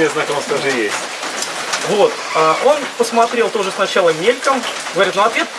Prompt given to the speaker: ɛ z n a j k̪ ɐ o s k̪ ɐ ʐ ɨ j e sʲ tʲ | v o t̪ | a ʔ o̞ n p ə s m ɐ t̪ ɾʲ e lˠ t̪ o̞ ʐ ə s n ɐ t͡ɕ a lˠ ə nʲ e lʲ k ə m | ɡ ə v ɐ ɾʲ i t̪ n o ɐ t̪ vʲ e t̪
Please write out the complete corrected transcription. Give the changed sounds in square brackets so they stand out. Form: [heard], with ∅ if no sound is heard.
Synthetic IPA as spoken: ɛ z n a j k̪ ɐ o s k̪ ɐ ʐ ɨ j e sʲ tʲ | v o t̪ | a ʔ o̞ n p ə s m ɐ t̪ ɾʲ e lˠ t̪ o̞ ʐ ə s n ɐ t͡ɕ a lˠ ə [mʲ] e lʲ k ə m | ɡ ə v ɐ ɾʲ i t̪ n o ɐ t̪ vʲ e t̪

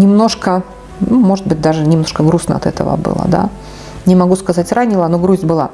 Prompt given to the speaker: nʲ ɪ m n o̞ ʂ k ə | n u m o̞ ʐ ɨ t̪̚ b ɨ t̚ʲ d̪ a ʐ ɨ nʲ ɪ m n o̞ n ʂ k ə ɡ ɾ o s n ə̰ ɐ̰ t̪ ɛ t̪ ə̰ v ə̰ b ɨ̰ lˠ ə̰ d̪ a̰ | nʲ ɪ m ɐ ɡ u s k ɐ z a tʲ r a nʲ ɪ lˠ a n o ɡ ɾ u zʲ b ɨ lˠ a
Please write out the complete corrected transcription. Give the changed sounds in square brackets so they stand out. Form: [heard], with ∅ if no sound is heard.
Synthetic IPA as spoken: nʲ ɪ m n o̞ ʂ k ə | n u m o̞ ʐ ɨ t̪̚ b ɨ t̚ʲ d̪ a ʐ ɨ nʲ ɪ m n o̞ [∅] ʂ k ə ɡ ɾ [u] s n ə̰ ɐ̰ t̪ ɛ t̪ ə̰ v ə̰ b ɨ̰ lˠ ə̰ d̪ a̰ | nʲ ɪ m ɐ ɡ u s k ɐ z a tʲ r a nʲ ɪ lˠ a n o ɡ ɾ u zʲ b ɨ lˠ a

